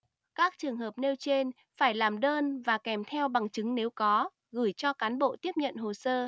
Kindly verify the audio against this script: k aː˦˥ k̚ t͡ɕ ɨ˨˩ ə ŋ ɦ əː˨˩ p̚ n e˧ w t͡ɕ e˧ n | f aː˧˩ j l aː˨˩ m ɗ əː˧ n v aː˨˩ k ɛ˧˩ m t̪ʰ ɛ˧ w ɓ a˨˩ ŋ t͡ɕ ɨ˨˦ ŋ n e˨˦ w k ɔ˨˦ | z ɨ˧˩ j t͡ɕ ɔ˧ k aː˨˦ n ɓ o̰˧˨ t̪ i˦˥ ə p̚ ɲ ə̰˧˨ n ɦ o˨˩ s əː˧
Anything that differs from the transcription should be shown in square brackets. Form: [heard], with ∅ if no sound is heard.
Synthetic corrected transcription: k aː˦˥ k̚ t͡ɕ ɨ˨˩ ə ŋ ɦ əː˨˩ p̚ n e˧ w t͡ɕ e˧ n | f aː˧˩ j l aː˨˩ m ɗ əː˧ n v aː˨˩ k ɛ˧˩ m t̪ʰ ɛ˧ w ɓ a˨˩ ŋ t͡ɕ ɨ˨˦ ŋ n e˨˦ w k ɔ˨˦ | [ɣ] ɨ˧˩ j t͡ɕ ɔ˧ k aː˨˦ n ɓ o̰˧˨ t̪ i˦˥ ə p̚ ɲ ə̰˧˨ n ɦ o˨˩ s əː˧